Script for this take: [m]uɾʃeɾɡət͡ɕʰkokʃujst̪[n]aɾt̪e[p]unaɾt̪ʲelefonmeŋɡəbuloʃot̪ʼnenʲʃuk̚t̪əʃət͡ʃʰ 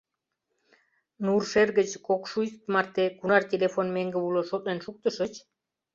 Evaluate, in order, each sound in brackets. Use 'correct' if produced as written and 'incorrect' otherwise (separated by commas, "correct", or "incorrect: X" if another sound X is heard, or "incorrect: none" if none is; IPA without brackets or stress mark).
incorrect: n, incorrect: m, incorrect: k